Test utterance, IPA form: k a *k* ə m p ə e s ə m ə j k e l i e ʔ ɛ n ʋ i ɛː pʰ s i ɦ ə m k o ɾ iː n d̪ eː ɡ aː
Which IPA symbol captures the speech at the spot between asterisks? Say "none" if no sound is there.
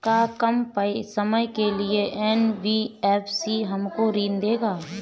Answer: k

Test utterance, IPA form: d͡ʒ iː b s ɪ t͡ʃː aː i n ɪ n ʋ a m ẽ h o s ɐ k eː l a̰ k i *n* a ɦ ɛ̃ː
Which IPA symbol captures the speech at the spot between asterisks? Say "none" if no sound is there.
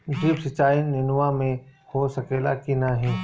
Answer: n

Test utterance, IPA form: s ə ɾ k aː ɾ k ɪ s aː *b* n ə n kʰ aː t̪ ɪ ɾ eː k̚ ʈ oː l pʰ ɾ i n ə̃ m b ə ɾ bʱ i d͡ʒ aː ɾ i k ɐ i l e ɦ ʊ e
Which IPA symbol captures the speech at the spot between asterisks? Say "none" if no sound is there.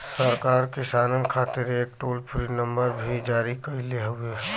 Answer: none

